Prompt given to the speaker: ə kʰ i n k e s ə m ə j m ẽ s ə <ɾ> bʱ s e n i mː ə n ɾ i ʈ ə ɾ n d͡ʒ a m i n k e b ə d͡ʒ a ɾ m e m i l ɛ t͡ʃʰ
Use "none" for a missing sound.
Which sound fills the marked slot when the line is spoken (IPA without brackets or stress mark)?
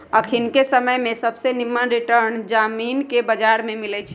none